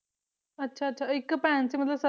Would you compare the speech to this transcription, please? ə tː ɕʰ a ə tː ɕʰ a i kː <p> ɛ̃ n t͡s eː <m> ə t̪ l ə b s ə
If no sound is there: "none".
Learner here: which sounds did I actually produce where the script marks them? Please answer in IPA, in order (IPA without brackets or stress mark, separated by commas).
p, m